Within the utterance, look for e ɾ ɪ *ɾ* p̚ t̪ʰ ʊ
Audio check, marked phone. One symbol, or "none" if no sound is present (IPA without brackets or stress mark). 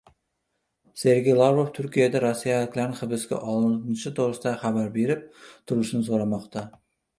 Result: none